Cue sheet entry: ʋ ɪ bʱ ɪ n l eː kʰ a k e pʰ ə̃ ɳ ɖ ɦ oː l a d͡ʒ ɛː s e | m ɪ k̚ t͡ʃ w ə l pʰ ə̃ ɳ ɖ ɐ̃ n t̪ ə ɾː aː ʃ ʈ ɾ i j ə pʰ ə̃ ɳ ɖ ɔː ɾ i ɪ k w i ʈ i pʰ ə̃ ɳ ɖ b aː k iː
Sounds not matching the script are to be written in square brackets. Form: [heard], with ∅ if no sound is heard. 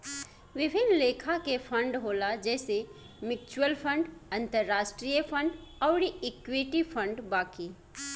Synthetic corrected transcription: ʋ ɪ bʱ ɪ n l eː kʰ a k e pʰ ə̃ ɳ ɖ ɦ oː l a d͡ʒ ɛː s e | m ɪ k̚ t͡ʃ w ə l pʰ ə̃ ɳ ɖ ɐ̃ n t̪ ə ɾː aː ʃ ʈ ɾ i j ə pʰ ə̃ ɳ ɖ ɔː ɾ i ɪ k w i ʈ i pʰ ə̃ ɳ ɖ b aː k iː